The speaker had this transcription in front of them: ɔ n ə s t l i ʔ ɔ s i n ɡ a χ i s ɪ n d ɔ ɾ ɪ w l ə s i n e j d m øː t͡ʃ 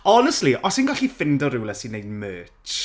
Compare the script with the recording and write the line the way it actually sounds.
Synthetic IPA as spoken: ɔ n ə s t l i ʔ ɔ s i n ɡ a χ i f ɪ n d ɔ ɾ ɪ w l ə s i n e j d m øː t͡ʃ